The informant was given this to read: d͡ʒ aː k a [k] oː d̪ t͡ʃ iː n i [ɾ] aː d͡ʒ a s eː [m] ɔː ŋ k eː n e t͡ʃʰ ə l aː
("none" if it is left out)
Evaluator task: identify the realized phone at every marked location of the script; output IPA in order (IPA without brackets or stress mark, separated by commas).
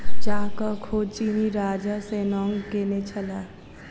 kʰ, ɾ, n